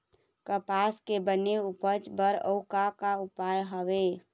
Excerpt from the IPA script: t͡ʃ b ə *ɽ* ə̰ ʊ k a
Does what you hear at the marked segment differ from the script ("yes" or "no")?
yes